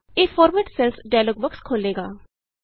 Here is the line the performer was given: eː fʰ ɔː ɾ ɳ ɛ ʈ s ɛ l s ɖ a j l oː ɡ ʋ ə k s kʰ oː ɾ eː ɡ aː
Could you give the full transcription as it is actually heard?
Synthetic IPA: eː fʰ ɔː ɾ m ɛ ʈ s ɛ l s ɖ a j l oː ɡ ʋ ə k s kʰ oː l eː ɡ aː

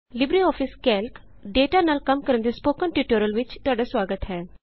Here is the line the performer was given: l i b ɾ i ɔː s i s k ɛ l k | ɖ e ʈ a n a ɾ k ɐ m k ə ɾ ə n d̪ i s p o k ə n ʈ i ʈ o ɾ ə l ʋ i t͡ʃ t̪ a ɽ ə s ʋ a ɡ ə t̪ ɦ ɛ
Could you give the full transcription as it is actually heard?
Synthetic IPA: l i b ɾ i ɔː f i s k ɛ l k | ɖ e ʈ a n a l k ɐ m k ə ɾ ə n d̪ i s p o k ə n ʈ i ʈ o ɾ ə l ʋ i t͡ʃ t̪ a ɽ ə s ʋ a ɡ ə t̪ ɦ ɛ

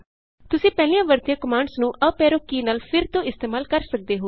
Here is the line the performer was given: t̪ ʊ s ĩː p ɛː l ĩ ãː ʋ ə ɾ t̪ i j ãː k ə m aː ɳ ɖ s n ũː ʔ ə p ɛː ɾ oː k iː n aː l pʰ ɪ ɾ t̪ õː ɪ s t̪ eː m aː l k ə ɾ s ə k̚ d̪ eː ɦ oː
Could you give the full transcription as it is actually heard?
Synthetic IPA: t̪ ʊ s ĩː p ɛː l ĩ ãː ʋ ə ɾ t̪ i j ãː k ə m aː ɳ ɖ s n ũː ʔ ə p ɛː ɾ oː k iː n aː l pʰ ɪ ɾ t̪ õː ɪ s t̪ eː m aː l k ə ɾ s ə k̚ d̪ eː ɦ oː

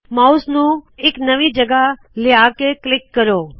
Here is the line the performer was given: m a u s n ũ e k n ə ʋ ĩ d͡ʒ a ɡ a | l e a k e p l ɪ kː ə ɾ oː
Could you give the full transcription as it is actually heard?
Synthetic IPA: m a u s n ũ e k n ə ʋ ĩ d͡ʒ ə ɡ a | l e a k e k l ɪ kː ə ɾ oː

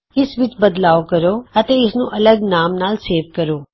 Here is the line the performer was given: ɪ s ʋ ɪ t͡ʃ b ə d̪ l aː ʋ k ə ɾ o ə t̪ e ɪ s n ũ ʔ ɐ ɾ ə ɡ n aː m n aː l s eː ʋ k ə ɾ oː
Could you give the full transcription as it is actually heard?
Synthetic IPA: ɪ s ʋ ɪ t͡ʃ b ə d̪ l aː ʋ k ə ɾ o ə t̪ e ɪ s n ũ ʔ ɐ l ə ɡ n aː m n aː l s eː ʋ k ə ɾ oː

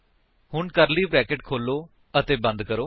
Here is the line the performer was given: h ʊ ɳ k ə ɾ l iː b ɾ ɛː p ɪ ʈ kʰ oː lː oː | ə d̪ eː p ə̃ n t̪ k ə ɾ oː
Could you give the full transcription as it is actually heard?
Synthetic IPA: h ʊ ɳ k ə ɾ l iː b ɾ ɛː k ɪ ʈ kʰ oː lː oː | ə t̪ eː b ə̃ n d̪ k ə ɾ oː

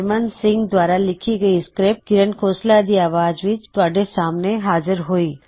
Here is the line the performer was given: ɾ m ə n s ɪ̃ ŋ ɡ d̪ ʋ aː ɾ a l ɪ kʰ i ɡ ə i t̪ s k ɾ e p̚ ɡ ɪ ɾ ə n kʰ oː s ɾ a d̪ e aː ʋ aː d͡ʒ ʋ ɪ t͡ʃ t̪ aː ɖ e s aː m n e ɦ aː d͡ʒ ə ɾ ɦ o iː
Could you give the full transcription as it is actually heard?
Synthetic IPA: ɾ m ə n s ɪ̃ ŋ ɡ d̪ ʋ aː ɾ a l ɪ kʰ i ɡ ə i s k ɾ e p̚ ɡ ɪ ɾ ə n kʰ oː s l a d̪ i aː ʋ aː d͡ʒ ʋ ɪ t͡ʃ t̪ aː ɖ e s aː m n e ɦ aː d͡ʒ ə ɾ ɦ o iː

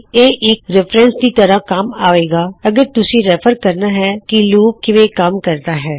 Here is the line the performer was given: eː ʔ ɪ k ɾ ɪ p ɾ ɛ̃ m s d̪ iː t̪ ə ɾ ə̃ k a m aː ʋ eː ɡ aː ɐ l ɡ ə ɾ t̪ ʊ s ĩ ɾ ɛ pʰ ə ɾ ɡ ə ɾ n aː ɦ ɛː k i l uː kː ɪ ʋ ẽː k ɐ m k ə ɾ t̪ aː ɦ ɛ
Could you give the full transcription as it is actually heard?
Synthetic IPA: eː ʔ ɪ k ɾ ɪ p ɾ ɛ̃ n s d̪ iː t̪ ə ɾ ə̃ k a m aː ʋ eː ɡ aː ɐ ɡ ə ɾ t̪ ʊ s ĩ ɾ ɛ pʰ ə ɾ k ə ɾ n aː ɦ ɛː k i l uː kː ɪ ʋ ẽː k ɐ m k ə ɾ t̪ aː ɦ ɛː

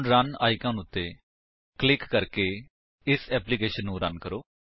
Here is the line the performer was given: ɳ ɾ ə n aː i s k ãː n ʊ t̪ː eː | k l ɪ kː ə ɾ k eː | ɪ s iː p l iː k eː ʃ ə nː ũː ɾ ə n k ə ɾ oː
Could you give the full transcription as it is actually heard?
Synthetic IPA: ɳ ɾ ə n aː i k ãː n ʊ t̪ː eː | k l ɪ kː ə ɾ k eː | ɪ s ɛː p l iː k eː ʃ ə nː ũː ɾ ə n k ə ɾ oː

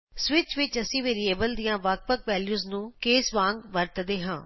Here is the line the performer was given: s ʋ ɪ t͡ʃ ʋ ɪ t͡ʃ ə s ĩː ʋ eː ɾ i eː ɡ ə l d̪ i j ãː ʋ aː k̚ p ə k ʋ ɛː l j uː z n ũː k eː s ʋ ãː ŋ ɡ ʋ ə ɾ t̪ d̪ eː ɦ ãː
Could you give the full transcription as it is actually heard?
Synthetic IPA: s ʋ ɪ t͡ʃ ʋ ɪ t͡ʃ ə s ĩː ʋ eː ɾ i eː b ə l d̪ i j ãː ʋ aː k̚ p ə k ʋ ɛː l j uː z n ũː k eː s ʋ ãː ŋ ɡ ʋ ə ɾ t̪ d̪ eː ɦ ãː

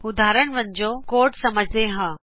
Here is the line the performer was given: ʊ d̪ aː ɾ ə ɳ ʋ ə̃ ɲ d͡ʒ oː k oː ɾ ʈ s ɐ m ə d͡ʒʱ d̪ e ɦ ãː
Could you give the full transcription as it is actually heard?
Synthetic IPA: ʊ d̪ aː ɾ ə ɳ ʋ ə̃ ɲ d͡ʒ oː k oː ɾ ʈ s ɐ m ə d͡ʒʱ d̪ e ɦ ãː

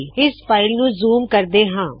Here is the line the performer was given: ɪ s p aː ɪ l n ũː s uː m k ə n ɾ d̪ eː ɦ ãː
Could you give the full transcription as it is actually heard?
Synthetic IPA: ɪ s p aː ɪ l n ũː z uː m k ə ɾ d̪ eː ɦ ãː

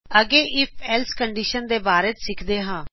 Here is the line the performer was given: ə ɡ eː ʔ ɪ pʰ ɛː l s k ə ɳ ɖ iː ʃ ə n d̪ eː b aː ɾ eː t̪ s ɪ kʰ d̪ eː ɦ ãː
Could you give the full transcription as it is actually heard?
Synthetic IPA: ə ɡ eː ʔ ɪ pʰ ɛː l s k ə ɳ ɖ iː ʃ ə n d̪ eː b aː ɾ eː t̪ s ɪ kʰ d̪ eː ɦ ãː

